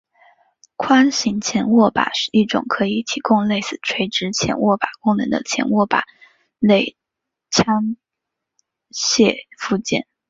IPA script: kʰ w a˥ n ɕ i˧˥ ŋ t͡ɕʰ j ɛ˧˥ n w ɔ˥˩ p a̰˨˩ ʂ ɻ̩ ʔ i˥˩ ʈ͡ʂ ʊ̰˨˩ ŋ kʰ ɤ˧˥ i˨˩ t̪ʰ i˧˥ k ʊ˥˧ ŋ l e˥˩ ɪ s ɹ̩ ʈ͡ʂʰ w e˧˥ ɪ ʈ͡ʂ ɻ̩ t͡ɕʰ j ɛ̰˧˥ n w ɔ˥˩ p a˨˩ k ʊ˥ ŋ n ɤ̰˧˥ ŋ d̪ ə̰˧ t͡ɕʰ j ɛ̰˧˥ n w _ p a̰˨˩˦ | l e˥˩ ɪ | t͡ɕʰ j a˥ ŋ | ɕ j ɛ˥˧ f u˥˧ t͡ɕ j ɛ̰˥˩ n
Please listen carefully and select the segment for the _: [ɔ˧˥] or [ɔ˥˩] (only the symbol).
ɔ˥˩